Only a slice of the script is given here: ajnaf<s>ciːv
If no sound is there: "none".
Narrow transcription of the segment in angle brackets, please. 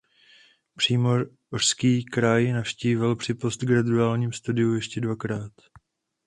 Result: ʃ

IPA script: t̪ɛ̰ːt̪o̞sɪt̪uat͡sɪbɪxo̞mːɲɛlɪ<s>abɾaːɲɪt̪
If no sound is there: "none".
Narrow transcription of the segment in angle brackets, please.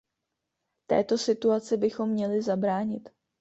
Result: z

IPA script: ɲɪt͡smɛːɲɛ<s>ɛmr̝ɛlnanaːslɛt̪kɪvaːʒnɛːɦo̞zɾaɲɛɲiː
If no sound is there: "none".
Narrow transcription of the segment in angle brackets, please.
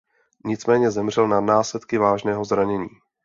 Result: z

